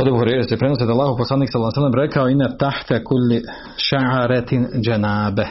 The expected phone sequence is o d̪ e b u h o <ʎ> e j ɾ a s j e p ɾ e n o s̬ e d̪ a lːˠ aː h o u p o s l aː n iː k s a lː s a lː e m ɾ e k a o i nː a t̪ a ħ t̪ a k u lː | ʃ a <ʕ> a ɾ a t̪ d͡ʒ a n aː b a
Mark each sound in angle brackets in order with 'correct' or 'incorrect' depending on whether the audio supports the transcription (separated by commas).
incorrect, correct